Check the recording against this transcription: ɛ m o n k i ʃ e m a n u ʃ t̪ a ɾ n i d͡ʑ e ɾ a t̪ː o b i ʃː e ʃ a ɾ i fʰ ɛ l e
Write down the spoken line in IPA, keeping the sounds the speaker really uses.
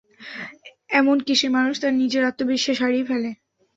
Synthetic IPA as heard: ɛ m o n k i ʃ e m a n u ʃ t̪ a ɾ n i d͡ʑ e ɾ a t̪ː o b i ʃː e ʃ a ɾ i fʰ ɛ l e